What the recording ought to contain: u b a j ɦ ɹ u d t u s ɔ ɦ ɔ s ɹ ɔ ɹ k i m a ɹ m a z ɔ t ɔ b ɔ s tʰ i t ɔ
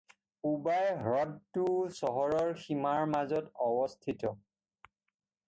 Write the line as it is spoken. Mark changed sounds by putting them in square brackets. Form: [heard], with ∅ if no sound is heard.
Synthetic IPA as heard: u b a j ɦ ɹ [ɔ] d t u s ɔ ɦ ɔ [∅] ɹ ɔ ɹ [x] i m a ɹ m a z ɔ t ɔ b ɔ s tʰ i t ɔ